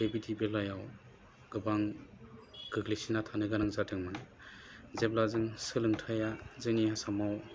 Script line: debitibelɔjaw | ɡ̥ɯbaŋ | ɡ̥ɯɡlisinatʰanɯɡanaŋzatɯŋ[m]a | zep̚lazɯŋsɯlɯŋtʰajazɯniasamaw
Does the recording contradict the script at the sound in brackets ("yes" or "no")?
no